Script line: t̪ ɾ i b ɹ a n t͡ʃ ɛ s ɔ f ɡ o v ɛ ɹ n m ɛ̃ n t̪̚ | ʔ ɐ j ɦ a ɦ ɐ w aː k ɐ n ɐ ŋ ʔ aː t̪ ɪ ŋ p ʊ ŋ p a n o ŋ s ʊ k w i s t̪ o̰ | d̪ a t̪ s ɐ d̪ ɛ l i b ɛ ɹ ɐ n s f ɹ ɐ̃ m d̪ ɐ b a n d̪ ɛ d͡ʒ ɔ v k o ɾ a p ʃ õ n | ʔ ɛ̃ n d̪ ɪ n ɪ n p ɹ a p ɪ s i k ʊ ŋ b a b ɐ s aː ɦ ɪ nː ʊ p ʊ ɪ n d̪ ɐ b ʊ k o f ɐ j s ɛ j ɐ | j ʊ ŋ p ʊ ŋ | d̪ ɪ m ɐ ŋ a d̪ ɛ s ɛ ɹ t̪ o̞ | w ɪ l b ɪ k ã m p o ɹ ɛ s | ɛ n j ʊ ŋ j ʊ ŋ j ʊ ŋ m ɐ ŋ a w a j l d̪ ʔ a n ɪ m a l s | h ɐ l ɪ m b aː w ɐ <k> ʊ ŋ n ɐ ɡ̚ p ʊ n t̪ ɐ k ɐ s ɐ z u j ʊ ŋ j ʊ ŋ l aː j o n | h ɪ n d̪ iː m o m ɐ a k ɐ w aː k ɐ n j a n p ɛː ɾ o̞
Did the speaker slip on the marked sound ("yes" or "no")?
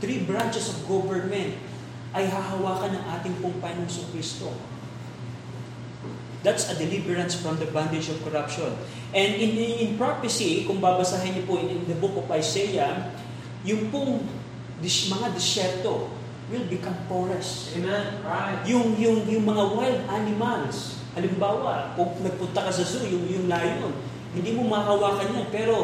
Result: no